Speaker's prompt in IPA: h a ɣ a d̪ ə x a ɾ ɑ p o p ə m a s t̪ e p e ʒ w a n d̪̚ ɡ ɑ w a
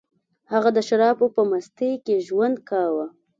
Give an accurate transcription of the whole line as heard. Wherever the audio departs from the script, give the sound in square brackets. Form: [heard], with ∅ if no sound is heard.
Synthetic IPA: h a ɣ a d̪ ə [ʃ] a ɾ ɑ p o p ə m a s t̪ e [k] e ʒ w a n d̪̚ [k] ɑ w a

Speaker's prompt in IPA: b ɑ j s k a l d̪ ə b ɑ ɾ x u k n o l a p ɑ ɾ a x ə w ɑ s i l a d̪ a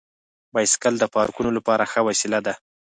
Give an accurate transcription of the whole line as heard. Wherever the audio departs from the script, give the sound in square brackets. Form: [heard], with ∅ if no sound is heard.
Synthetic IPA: b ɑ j s k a l d̪ ə [p] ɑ ɾ [k] u [∅] n o l a p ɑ ɾ a x ə w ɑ s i l a d̪ a

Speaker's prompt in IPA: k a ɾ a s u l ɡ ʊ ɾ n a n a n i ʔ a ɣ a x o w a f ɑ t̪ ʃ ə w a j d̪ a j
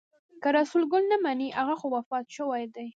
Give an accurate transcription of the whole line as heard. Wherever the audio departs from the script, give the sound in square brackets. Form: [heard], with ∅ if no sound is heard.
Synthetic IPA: k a ɾ a s u l ɡ ʊ [l] n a [m] a n i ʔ a ɣ a x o w a f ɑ t̪ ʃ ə w a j d̪ a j

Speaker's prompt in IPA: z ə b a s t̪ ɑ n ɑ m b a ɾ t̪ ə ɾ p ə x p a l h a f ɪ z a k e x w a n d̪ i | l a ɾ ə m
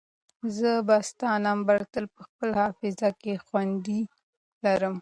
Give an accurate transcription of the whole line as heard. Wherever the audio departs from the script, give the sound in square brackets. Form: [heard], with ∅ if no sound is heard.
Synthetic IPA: z ə b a s t̪ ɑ n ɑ m b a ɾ t̪ ə [l] p ə x p [ə] l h [ɑ] f ɪ z a k e x w a n d̪ i | l a ɾ ə m

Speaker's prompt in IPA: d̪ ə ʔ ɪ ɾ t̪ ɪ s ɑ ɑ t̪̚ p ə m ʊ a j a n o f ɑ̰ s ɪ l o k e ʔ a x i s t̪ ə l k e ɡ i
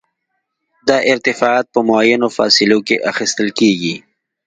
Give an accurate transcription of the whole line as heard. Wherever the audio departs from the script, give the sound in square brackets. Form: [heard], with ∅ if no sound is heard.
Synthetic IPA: d̪ [ɑ] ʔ ɪ ɾ t̪ ɪ [f] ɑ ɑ t̪̚ p ə m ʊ a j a n o f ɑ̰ s ɪ l o k e ʔ a x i s t̪ ə l k e ɡ i

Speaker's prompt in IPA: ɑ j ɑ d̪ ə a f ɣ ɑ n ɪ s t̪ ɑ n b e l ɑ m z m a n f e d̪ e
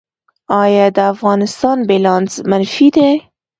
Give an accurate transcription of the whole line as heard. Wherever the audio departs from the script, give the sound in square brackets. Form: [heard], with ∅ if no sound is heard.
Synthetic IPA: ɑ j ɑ d̪ ə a f ɣ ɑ n ɪ s t̪ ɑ n b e l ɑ [n] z m a n f [i] d̪ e

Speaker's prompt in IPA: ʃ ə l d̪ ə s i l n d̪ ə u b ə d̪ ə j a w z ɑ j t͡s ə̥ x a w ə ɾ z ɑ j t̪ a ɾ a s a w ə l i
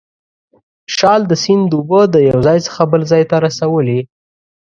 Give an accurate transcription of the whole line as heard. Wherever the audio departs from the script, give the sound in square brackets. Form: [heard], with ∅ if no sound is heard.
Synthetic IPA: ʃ [ɑ] l d̪ ə s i [∅] n d̪ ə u b ə d̪ ə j a w z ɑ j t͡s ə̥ x a [b] ə [l] z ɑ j t̪ a ɾ a s a w ə l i

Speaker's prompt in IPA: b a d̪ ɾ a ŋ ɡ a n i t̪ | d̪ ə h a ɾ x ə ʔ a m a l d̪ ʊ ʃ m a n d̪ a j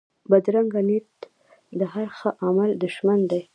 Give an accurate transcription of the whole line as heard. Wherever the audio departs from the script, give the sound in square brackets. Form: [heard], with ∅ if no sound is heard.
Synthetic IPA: b a d̪ ɾ a ŋ ɡ a n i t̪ | d̪ ə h a ɾ x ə ʔ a m a l d̪ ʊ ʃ m a n d̪ a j

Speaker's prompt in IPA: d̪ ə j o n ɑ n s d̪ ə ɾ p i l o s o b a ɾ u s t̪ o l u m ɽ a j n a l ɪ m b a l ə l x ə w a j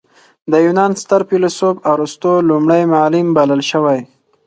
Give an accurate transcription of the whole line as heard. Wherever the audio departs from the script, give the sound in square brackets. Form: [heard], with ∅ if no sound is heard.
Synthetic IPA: d̪ ə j [u] n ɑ n s [t̪] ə ɾ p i l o s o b a ɾ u s t̪ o l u m ɽ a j [m] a l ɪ m b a l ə l [ʃ] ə w a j

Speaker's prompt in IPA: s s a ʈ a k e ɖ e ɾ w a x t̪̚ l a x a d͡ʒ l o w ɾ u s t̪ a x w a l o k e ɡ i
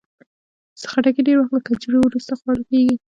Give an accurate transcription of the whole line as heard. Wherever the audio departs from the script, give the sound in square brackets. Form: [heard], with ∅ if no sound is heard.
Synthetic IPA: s [x] a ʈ a k e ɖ e ɾ w a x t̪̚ l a [k] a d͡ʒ [ɾ] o w ɾ u s t̪ a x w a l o k e ɡ i

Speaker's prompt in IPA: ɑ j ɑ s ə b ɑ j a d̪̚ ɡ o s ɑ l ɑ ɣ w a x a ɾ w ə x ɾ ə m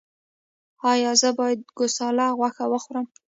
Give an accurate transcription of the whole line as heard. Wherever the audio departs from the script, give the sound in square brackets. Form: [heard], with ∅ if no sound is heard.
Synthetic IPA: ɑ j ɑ [z] ə b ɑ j a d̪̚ ɡ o s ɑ l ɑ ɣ w a x a [∅] w ə x ɾ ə m

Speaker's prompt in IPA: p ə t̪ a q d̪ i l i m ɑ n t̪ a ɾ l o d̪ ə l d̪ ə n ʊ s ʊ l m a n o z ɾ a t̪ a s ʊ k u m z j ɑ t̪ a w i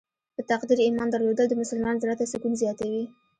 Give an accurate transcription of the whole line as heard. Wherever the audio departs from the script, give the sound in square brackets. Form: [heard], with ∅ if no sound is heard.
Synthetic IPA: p ə t̪ a q d̪ i [ɾ] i m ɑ n [d̪] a ɾ l o d̪ ə l d̪ ə [m] ʊ s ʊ l m [ɑ] n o z ɾ a t̪ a s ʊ k u [n] z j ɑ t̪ a w i

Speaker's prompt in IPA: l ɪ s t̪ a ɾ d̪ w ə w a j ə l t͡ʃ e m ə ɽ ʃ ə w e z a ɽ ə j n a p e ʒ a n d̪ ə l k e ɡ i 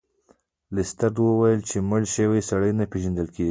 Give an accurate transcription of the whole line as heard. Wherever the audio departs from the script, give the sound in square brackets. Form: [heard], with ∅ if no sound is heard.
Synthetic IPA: l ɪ s t̪ a ɾ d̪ w ə w a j ə l t͡ʃ e m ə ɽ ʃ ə w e [s] a ɽ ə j n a p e ʒ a n d̪ ə l k e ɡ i

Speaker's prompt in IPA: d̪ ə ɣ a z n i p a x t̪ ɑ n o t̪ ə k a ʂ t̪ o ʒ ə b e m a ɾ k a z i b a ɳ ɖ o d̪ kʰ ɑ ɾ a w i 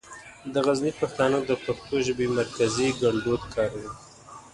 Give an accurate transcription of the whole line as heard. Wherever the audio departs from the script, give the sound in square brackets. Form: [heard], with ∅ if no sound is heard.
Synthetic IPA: d̪ ə ɣ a z n i p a x t̪ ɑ n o [d̪] ə [p] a [x] t̪ o ʒ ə b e m a ɾ k a z i [ɡ] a ɳ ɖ o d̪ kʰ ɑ ɾ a w i

